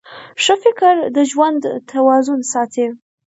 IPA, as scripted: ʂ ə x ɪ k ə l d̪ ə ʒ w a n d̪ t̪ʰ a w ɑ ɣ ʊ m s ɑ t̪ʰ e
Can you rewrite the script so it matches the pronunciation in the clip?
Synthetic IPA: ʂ ə f ɪ k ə ɾ d̪ ə ʒ w a n d̪ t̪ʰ a w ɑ z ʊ n s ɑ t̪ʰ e